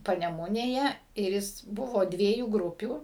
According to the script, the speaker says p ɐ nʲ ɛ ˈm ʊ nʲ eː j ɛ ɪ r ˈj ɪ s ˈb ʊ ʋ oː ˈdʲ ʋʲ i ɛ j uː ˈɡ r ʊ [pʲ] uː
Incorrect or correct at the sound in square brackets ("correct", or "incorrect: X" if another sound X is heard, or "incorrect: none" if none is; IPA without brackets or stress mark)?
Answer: correct